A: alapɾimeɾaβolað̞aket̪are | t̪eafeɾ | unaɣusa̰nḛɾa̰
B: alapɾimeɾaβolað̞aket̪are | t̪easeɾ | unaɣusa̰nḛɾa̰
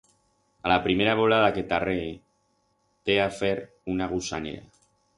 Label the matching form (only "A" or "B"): A